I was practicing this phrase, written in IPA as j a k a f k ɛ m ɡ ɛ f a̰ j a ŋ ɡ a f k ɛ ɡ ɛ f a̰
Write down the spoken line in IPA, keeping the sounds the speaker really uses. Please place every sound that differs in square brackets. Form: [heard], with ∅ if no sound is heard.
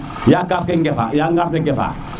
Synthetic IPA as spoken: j a k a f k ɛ [ŋ] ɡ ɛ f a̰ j a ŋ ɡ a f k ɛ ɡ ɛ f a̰